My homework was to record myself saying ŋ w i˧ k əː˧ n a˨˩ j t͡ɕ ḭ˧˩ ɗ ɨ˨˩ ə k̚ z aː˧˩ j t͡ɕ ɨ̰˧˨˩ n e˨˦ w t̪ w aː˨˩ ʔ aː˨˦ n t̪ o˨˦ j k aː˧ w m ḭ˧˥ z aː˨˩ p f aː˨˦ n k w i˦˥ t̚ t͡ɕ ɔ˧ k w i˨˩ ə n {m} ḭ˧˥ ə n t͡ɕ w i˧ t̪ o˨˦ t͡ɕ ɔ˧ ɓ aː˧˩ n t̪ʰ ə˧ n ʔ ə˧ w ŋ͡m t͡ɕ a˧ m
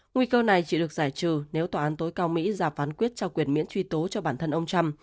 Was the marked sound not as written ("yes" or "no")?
no